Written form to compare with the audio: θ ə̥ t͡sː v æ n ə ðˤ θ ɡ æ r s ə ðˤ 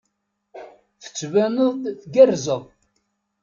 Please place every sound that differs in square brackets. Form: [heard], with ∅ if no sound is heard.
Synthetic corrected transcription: θ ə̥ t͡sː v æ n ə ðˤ θ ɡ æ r [z] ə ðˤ